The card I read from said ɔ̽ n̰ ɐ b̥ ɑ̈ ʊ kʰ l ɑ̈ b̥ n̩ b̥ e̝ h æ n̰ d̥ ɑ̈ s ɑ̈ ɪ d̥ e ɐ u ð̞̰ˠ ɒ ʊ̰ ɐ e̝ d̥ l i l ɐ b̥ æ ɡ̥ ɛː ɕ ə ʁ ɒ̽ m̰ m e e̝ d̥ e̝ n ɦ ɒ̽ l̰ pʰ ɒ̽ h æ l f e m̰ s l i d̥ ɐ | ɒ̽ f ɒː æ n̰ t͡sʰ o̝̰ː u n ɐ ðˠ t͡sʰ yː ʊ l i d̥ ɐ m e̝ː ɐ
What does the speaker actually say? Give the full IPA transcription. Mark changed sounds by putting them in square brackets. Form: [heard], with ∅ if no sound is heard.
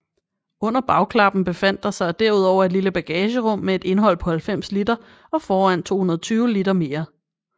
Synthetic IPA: ɔ̽ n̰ ɐ b̥ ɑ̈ ʊ kʰ l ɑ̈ b̥ n̩ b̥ e̝ [f] æ n̰ d̥ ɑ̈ s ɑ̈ ɪ d̥ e ɐ u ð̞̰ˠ ɒ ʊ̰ ɐ e̝ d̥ l i l [ə] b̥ æ ɡ̥ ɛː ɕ ə ʁ [ɔ̽] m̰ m e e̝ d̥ e̝ n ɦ ɒ̽ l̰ pʰ ɒ̽ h æ l f e m̰ s l i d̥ ɐ | ɒ̽ f ɒː æ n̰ t͡sʰ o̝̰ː u n ɐ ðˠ t͡sʰ yː ʊ l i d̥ ɐ m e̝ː ɐ